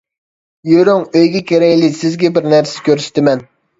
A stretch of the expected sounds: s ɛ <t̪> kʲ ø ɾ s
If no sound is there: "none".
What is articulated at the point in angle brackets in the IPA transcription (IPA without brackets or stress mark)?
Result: none